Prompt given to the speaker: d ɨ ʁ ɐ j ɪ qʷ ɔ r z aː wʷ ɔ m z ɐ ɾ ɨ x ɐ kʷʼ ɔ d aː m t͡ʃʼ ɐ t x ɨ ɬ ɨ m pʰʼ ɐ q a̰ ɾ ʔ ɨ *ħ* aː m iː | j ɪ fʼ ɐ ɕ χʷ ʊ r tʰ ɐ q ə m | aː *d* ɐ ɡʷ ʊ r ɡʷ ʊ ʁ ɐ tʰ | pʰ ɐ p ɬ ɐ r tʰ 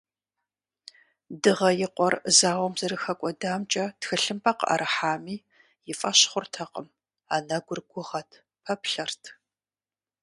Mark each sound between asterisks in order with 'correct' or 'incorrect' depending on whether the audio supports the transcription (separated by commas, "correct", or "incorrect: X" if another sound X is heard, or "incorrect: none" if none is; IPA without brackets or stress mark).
correct, incorrect: n